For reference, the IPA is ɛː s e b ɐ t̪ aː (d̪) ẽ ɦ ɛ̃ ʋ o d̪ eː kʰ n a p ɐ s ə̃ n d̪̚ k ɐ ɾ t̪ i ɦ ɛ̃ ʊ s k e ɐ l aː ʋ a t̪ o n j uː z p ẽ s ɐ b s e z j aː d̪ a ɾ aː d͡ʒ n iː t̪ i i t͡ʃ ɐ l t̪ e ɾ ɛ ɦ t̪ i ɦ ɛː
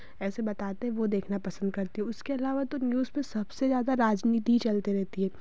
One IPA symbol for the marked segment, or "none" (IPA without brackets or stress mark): t̪